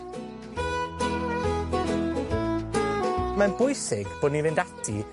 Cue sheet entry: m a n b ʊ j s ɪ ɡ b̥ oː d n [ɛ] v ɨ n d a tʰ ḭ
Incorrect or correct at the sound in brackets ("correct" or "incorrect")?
incorrect